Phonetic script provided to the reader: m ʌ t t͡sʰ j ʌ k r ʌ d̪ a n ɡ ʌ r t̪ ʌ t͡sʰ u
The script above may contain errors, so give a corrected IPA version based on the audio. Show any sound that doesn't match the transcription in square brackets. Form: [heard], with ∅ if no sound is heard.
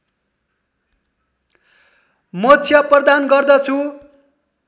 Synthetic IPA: m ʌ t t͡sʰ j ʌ [p] r ʌ d̪ a n ɡ ʌ r [d̪] ʌ t͡sʰ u